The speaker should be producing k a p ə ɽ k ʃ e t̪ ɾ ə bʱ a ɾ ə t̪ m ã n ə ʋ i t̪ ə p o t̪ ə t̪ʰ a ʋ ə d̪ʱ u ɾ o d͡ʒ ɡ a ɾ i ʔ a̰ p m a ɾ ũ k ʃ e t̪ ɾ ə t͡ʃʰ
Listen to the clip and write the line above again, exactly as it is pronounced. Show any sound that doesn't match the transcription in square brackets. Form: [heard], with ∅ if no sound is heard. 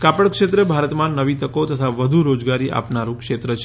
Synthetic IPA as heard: k a p ə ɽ k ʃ e t̪ ɾ ə bʱ a ɾ ə t̪ m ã n ə ʋ i t̪ ə [k] o t̪ ə t̪ʰ a ʋ ə d̪ʱ u ɾ o d͡ʒ ɡ a ɾ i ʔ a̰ p [n] a ɾ ũ k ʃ e t̪ ɾ ə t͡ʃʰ